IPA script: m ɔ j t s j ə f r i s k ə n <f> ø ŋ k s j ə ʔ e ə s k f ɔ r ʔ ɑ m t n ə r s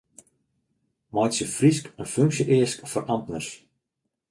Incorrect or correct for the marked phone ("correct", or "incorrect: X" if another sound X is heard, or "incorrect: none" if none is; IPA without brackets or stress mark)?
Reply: correct